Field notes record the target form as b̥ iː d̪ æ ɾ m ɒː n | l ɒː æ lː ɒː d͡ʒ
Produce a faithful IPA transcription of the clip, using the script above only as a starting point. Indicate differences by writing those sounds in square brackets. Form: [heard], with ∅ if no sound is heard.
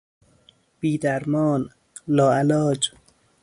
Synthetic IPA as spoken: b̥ iː d̪ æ ɾ m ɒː n | l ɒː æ [l] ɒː d͡ʒ